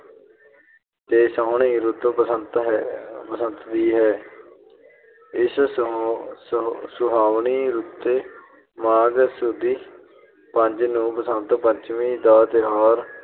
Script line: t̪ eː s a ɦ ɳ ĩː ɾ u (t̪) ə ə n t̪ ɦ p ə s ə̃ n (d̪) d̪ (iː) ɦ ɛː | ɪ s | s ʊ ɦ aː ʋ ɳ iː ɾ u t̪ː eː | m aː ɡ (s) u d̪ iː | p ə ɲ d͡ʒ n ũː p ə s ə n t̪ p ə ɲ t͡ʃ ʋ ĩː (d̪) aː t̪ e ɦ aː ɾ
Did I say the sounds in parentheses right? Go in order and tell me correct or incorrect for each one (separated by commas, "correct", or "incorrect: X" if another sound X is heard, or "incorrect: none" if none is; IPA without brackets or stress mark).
correct, incorrect: t̪, correct, correct, correct